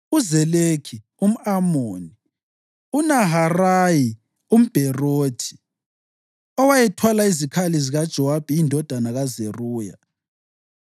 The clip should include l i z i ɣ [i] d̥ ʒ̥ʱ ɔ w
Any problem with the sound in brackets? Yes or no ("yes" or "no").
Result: yes